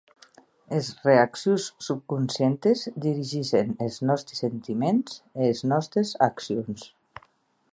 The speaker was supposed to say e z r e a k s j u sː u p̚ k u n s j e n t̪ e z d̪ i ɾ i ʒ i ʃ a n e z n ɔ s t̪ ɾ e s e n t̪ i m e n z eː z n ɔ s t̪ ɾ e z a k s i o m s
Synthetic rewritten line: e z r e a k s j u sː u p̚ k u n s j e n t̪ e z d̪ i ɾ i ʒ i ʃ e n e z n ɔ s t̪ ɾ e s e n t̪ i m e n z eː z n ɔ s t̪ ɾ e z a k s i o n s

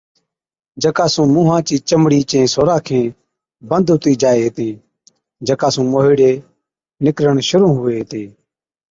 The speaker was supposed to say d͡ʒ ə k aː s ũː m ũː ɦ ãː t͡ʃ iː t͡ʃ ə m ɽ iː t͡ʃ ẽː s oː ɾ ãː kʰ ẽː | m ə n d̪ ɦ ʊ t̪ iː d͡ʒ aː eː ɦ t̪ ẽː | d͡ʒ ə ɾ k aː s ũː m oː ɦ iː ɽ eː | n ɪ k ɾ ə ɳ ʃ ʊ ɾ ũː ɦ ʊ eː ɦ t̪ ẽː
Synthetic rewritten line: d͡ʒ ə k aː s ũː m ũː ɦ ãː t͡ʃ iː t͡ʃ ə m ɽ iː t͡ʃ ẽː s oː ɾ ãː kʰ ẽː | b ə n d̪ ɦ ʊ t̪ iː d͡ʒ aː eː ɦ t̪ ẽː | d͡ʒ ə k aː s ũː m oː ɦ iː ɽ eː | n ɪ k ɾ ə ɳ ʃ ʊ ɾ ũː ɦ ʊ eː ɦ t̪ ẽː

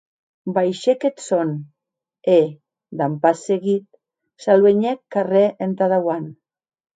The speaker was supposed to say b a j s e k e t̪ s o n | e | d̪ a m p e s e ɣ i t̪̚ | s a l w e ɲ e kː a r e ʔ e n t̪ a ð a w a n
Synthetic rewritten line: b a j ʃ e k e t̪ s o n | e | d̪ a m p a s e ɣ i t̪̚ | s a l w e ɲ e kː a r e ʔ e n t̪ a ð a w a n

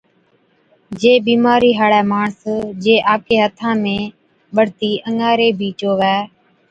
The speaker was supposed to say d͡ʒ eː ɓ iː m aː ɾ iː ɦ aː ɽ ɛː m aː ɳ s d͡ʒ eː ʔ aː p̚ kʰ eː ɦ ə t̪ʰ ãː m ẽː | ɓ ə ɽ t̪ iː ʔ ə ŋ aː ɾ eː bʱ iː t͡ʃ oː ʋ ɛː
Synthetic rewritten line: d͡ʒ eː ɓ iː m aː ɾ iː ɦ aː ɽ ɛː m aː ɳ s d͡ʒ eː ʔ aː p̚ kʰ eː ɦ ə t̪ʰ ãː m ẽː | ɓ ə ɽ t̪ iː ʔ ə ŋ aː ɾ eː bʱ iː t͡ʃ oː ʋ ɛː

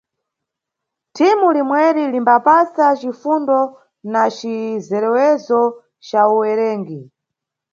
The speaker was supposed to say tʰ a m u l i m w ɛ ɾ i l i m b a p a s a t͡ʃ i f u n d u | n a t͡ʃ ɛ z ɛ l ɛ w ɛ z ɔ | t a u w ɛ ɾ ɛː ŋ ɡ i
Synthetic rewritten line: tʰ i m u l i m w ɛ ɾ i l i m b a p a s a t͡ʃ i f u n d ɔ | n a t͡ʃ i z ɛ ɾ ɛ w ɛ z ɔ | t͡ʃ a u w ɛ ɾ ɛː ŋ ɡ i

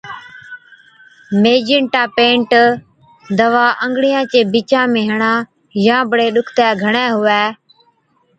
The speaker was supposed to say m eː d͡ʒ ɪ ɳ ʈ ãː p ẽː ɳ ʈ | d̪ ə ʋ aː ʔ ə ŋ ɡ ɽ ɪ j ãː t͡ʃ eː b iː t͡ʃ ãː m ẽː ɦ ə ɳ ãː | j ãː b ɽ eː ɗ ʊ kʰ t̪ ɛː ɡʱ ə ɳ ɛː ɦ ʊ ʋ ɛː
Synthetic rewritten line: m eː d͡ʒ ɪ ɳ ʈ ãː p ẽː ɳ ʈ | d̪ ə ʋ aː ʔ ə ŋ ɡ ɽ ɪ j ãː t͡ʃ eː b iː t͡ʃ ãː m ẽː ɦ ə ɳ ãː | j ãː b ɽ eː ɗ ʊ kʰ t̪ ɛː ɡʱ ə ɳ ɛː ɦ ʊ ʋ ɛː

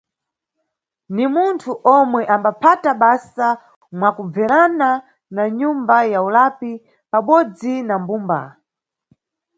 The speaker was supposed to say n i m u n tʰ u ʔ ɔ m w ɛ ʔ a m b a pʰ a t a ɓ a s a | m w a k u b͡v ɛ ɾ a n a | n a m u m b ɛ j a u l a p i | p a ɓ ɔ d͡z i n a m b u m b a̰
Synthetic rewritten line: n i m u n tʰ u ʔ ɔ m w ɛ ʔ a m b a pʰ a t a ɓ a s a | m w a k u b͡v ɛ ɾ a n a | n a ɲ u m b a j a u l a p i | p a ɓ ɔ d͡z i n a m b u m b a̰

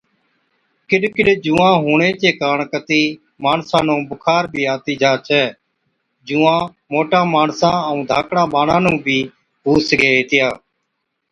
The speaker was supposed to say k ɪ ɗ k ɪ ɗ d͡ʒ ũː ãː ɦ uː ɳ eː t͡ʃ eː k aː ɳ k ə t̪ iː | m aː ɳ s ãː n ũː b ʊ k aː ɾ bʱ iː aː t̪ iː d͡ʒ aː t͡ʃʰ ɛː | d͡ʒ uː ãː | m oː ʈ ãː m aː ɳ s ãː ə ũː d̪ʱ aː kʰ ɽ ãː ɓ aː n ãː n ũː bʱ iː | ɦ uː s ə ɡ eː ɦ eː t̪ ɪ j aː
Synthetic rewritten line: k ɪ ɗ k ɪ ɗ d͡ʒ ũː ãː ɦ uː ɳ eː t͡ʃ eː k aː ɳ k ə t̪ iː | m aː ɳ s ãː n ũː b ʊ kʰ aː ɾ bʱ iː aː t̪ iː d͡ʒ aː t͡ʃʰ ɛː | d͡ʒ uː ãː | m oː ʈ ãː m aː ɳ s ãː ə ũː d̪ʱ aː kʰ ɽ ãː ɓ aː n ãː n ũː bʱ iː | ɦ uː s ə ɡ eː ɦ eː t̪ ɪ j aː

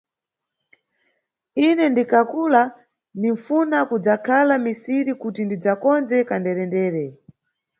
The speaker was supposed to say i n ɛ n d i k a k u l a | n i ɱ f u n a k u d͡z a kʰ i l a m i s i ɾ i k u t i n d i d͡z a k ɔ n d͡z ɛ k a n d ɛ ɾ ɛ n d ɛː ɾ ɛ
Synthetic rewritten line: i n ɛ n d i k a k u l a | n i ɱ f u n a k u d͡z a kʰ a l a m i s i ɾ i k u t i n d i d͡z a k ɔ n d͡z ɛ k a n d ɛ ɾ ɛ n d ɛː ɾ ɛ

